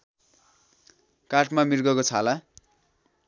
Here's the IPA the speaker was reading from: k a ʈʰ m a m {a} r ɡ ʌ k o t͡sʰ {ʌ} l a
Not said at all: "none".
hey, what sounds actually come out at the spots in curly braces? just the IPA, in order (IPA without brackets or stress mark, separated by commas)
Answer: i, a